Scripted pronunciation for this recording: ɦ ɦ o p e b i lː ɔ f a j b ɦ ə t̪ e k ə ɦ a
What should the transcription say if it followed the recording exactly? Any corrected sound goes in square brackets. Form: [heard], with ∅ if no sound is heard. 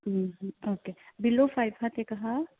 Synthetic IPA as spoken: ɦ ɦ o [k] e b i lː [o] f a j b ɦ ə t̪ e k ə ɦ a